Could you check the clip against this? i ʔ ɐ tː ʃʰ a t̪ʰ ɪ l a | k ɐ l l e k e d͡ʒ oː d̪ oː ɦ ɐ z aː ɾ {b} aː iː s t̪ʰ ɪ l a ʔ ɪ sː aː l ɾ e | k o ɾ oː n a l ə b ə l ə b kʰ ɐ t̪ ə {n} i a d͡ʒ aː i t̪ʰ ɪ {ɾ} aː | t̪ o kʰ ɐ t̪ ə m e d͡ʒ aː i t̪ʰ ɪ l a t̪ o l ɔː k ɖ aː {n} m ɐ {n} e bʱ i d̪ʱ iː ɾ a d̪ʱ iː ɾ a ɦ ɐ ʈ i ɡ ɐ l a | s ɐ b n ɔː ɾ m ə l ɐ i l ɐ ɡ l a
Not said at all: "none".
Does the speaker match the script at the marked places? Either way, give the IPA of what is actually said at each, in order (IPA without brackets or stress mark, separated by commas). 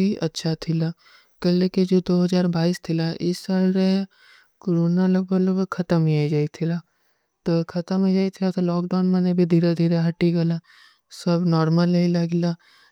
b, m, l, n, n